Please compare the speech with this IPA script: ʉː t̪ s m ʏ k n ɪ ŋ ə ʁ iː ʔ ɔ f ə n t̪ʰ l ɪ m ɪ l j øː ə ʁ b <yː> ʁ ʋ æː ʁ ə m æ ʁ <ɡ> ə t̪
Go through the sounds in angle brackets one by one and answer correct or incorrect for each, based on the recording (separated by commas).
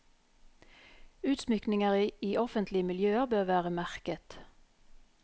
incorrect, incorrect